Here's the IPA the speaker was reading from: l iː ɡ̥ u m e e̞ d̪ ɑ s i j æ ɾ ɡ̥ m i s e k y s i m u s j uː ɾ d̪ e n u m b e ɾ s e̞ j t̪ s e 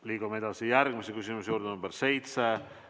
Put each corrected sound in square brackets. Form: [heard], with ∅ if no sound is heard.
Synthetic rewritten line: l iː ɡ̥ u m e e̞ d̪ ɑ s i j æ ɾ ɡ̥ m i s e k y s i m u s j uː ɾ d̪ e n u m b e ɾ s e̞ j t̪ s e

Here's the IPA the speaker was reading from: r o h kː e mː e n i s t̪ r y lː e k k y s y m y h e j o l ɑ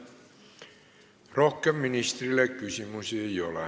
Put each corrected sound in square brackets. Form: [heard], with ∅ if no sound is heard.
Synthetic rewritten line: r o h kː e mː [i] n i s t̪ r [i] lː e k k y s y m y [s] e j o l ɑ

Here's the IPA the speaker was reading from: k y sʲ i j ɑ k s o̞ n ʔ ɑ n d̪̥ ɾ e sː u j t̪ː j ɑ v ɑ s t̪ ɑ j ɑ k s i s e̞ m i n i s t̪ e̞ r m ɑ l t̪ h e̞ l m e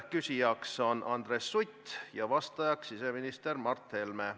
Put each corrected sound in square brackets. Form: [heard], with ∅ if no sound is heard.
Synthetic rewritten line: k y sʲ i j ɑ k s o̞ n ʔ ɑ n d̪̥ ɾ e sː u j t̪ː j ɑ v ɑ s t̪ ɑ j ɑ k s i s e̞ m i n i s t̪ e̞ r m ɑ [r] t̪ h e̞ l m e

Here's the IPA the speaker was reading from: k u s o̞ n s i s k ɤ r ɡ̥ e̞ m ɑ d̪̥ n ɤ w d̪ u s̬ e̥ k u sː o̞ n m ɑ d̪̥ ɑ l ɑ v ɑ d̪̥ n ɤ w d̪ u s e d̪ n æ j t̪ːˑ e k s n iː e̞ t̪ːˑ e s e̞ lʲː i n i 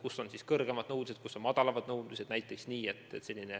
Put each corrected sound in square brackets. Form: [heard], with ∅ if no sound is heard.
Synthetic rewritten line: k u s o̞ n s i s k ɤ r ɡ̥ e̞ m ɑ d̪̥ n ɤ w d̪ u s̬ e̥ k u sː o̞ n m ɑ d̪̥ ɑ l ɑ v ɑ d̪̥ n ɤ w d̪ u s e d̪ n æ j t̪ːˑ e k s n iː e̞ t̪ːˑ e s e̞ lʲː i n [e]

